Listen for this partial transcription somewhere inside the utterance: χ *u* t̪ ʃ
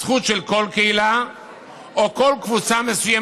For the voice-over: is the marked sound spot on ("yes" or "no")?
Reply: yes